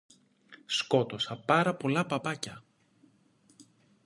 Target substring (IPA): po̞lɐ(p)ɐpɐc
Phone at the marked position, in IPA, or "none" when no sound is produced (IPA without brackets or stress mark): p